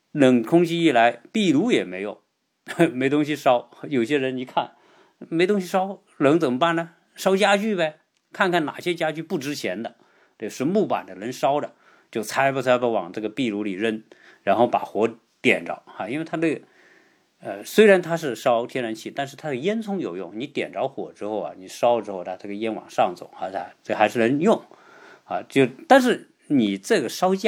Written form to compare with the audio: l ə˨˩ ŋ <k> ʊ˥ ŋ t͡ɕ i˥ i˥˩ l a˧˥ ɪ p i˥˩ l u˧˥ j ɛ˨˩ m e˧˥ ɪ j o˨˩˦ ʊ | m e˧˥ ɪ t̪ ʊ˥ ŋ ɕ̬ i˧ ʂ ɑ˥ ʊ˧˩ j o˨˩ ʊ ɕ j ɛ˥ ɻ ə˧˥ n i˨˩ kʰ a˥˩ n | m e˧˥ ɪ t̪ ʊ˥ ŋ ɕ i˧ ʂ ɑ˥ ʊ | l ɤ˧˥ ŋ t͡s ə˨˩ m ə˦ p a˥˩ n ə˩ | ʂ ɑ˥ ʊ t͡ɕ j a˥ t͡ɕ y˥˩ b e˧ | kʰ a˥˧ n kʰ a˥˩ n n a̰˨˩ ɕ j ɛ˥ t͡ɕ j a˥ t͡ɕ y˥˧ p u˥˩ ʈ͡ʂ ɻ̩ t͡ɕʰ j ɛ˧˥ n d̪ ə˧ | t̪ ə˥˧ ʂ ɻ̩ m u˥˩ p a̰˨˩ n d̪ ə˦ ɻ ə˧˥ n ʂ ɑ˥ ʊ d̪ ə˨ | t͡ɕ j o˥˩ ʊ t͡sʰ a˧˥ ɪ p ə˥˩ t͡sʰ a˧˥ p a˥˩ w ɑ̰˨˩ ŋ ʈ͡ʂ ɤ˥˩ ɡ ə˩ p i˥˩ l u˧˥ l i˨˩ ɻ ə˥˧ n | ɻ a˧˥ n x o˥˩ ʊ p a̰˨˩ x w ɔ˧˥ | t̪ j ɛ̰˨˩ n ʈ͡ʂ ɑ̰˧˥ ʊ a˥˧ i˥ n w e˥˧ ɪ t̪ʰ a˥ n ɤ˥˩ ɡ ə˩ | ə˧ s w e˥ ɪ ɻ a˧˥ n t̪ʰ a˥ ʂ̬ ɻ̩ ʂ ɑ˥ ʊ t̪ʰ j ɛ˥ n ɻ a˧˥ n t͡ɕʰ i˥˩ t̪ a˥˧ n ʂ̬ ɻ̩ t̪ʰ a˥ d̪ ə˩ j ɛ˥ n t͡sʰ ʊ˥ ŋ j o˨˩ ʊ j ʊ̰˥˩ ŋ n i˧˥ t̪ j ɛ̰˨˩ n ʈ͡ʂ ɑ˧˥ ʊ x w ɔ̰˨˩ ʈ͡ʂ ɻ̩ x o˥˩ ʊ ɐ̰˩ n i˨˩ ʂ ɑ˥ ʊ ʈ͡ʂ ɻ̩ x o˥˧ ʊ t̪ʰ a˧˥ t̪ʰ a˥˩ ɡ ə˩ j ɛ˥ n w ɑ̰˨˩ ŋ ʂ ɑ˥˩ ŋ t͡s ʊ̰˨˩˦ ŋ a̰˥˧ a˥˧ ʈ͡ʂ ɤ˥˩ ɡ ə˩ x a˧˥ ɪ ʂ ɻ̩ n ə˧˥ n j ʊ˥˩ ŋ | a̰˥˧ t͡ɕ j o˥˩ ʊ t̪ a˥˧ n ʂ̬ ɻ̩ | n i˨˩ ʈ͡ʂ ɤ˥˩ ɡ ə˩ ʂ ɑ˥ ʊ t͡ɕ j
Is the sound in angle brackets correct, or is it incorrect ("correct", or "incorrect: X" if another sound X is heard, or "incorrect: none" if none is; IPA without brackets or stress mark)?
incorrect: kʰ